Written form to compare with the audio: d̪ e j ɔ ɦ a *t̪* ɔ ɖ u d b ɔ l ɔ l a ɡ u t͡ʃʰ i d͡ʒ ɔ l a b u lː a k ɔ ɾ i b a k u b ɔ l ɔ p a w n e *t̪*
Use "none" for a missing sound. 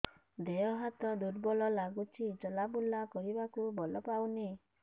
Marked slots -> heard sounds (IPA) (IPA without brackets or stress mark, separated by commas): t̪, none